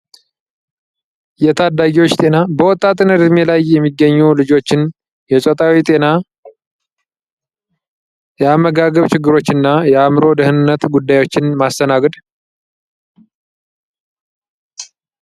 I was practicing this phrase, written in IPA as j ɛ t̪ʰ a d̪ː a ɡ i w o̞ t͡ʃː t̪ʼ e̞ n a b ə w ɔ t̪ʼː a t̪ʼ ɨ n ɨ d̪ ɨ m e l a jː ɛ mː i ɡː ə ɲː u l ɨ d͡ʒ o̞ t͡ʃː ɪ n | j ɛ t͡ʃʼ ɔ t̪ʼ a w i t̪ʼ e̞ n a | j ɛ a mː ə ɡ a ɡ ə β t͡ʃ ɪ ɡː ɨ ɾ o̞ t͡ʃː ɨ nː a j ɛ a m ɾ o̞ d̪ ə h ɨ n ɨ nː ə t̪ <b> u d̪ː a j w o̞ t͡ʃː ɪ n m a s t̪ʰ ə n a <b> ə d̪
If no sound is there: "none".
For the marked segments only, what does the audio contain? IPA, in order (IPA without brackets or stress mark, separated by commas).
ɡ, ɡ